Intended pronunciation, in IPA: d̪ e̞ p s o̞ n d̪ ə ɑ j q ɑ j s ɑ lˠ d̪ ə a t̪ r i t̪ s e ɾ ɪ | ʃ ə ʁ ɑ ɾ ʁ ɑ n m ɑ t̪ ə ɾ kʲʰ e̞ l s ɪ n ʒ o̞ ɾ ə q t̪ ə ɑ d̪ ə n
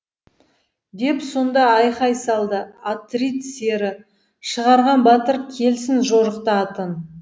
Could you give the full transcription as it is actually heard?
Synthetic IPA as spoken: d̪ e̞ p s o̞ n d̪ ɑ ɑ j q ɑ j s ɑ lˠ d̪ ə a t̪ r i t̪ s e ɾ ɪ | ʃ ə ʁ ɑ ɾ ʁ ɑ n b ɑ t̪ ə ɾ kʲʰ e̞ l s ɪ n ʒ o̞ ɾ ə q t̪ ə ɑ t̪ ə n

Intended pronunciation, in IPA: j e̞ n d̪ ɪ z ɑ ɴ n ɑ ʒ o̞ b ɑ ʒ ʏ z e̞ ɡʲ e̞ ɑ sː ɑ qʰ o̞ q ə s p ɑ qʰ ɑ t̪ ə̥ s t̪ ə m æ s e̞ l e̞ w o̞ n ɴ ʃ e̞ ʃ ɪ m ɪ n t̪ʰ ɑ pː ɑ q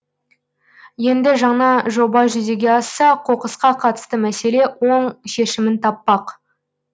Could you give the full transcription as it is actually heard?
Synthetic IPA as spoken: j e̞ n d̪ ɪ ʒ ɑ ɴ n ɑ ʒ o̞ b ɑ ʒ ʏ z e̞ ɡʲ e̞ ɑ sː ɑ qʰ o̞ q ə s q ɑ qʰ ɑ t̪ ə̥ s t̪ ə m æ s e̞ l e̞ w o̞ ɴ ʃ e̞ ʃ ɪ m ɪ n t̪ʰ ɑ pː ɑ q

